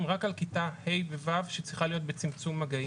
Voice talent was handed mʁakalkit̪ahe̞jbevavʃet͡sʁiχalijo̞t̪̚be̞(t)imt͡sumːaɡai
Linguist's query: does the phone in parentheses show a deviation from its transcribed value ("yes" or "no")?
yes